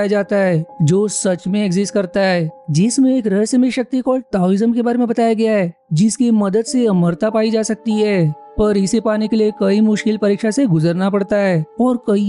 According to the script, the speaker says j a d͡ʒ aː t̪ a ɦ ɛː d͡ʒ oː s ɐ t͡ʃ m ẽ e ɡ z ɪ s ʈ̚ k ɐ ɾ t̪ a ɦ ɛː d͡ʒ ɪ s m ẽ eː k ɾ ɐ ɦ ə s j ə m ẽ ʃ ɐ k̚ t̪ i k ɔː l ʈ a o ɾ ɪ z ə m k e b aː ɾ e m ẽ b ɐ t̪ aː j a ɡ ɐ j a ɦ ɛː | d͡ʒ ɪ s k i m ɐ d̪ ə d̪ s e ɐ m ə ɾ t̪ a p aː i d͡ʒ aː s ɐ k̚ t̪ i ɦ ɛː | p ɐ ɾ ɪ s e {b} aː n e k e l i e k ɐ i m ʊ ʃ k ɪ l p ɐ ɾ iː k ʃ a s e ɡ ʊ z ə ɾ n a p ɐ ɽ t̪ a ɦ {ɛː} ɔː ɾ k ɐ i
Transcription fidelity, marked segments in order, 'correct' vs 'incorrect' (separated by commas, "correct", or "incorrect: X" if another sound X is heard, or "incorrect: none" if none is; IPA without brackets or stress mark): incorrect: p, correct